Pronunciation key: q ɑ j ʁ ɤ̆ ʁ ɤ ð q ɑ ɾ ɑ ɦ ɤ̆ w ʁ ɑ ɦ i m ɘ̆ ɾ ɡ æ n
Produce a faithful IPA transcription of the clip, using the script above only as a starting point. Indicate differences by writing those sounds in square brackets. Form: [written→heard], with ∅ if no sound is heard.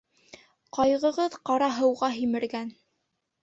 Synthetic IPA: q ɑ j ʁ ɤ̆ ʁ ɤ ð q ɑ ɾ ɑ ɦ ɤ̆ w ʁ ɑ ɦ i m ɘ̆ ɾ ɡ æ n